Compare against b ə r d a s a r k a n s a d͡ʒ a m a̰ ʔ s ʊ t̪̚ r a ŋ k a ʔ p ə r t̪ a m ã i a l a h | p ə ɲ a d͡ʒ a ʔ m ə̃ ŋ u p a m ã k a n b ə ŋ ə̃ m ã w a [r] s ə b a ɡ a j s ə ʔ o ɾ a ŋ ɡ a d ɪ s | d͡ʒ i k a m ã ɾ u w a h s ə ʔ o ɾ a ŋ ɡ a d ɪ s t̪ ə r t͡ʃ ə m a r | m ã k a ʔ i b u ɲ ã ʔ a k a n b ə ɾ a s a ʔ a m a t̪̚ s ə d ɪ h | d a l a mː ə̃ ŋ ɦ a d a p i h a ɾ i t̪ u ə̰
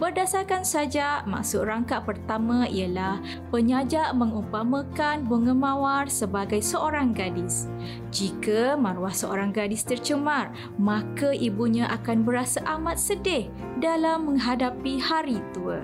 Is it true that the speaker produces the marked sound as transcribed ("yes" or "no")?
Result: yes